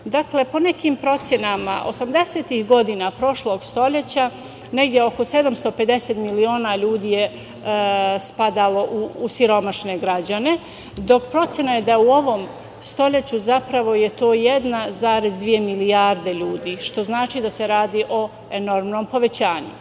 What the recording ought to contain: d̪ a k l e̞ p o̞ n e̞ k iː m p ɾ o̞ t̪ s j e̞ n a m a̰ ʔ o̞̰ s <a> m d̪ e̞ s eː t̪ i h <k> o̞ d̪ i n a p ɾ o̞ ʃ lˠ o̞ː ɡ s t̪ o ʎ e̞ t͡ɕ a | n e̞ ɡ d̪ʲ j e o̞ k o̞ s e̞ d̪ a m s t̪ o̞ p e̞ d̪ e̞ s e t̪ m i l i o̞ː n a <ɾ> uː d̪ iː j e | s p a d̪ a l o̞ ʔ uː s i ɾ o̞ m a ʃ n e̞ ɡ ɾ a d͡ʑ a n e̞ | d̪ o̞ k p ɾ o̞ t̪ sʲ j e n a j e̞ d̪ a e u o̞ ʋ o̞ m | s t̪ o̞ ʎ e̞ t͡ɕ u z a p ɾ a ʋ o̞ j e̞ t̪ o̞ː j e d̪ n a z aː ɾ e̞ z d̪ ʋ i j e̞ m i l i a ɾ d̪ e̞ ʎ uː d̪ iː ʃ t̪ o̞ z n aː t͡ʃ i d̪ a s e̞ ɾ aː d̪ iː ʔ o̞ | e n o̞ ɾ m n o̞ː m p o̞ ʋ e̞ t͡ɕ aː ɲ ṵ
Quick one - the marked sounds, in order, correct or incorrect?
correct, incorrect: ɡ, incorrect: ʎ

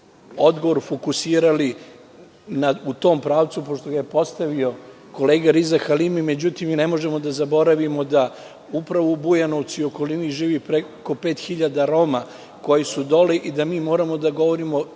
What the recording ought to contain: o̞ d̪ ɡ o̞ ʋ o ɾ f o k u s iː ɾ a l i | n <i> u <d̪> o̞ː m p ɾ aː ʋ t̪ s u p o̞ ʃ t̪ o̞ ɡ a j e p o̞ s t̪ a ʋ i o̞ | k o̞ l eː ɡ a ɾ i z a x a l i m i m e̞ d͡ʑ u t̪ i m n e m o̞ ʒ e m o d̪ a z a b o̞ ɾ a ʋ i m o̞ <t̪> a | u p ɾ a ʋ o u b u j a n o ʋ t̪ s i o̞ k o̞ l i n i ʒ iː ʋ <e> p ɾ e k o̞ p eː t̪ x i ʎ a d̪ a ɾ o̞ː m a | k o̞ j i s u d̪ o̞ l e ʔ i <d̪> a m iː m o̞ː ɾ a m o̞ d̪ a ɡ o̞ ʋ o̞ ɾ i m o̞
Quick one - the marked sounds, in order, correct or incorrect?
incorrect: a, incorrect: t̪, incorrect: d̪, incorrect: i, correct

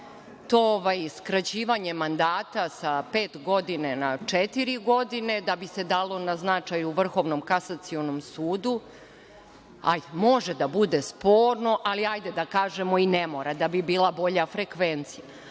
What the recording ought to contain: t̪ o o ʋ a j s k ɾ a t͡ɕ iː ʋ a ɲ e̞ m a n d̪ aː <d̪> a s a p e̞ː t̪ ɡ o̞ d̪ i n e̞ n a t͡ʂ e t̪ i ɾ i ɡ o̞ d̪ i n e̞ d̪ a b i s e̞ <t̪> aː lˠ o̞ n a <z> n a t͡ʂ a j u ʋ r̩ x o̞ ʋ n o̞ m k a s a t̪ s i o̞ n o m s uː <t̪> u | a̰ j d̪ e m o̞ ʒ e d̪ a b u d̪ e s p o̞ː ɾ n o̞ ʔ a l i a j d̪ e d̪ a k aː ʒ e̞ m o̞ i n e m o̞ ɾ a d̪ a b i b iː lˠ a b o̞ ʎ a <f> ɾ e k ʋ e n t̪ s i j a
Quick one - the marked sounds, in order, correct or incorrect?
incorrect: t̪, incorrect: d̪, correct, incorrect: d̪, correct

